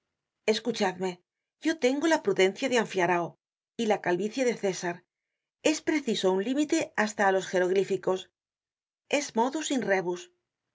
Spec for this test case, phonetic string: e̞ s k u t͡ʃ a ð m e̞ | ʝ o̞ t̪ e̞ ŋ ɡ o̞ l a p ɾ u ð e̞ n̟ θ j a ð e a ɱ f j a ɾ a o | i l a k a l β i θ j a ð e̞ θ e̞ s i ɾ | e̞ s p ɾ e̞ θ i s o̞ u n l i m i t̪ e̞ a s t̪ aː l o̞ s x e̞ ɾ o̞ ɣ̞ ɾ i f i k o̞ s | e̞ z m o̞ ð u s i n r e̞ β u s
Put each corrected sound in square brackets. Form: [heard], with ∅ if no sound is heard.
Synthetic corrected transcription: e̞ s k u t͡ʃ a ð m e̞ | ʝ o̞ t̪ e̞ ŋ ɡ o̞ l a p ɾ u ð e̞ n̟ θ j a ð e a ɱ f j a ɾ a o | i l a k a l β i θ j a ð e̞ θ e̞ s [a] ɾ | e̞ s p ɾ e̞ θ i s o̞ u n l i m i t̪ e̞ a s t̪ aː l o̞ s x e̞ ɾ o̞ ɣ̞ ɾ i f i k o̞ s | e̞ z m o̞ ð u s i n r e̞ β u s